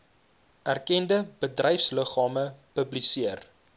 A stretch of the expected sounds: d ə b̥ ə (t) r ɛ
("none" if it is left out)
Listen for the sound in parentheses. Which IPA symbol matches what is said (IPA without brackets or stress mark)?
d